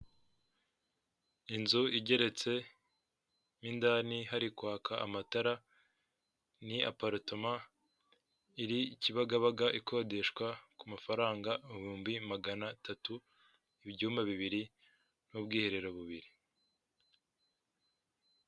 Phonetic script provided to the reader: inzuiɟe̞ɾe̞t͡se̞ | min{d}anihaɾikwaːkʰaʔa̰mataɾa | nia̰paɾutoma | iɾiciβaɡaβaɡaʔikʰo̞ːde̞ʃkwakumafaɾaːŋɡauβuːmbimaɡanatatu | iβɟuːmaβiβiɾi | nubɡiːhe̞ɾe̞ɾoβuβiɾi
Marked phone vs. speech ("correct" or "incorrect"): correct